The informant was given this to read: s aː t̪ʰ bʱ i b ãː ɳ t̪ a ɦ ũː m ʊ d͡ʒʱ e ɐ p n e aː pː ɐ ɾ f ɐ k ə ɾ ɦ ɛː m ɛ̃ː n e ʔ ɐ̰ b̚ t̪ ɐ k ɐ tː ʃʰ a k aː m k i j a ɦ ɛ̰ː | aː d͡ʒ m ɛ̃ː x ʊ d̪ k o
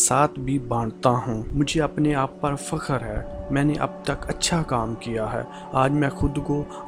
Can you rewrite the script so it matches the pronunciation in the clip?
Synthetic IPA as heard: s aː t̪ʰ bʱ i b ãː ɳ t̪ a ɦ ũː m ʊ d͡ʒʱ e ɐ p n e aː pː ɐ ɾ f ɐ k ə ɾ ɦ ɛː m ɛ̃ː n e ʔ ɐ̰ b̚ t̪ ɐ k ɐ tː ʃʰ a k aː m k i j a ɦ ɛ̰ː | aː d͡ʒ m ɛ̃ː x ʊ d̪ k o